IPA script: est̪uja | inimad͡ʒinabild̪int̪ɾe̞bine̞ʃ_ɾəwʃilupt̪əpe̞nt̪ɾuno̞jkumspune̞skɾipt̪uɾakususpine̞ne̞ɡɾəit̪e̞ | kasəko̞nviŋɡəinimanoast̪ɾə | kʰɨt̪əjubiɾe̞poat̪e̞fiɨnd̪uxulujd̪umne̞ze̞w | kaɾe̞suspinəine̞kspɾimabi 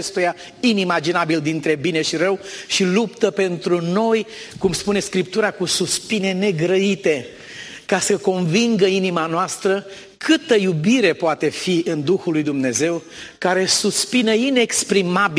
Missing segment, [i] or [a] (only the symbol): i